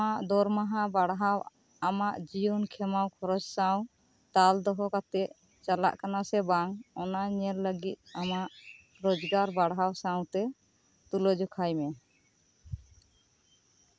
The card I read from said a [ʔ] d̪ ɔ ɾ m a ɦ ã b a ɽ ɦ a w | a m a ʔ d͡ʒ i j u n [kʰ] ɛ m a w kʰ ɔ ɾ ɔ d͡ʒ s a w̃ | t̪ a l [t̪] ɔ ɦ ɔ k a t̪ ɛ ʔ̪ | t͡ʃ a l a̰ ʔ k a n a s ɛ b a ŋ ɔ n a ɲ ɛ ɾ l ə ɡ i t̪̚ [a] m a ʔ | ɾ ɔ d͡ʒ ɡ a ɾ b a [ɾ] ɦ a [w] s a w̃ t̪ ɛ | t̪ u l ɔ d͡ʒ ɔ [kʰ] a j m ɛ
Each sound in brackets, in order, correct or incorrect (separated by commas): correct, correct, incorrect, correct, incorrect, correct, correct